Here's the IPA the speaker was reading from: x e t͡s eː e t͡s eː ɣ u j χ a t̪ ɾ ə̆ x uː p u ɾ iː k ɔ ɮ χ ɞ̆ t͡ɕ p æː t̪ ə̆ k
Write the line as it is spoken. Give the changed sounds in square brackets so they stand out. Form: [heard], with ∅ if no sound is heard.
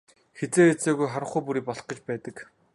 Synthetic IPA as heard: x e t͡s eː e t͡s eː ɣ u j χ a [∅] ɾ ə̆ [χ] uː p u ɾ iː [p] ɔ ɮ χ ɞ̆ t͡ɕ p æː t̪ ə̆ k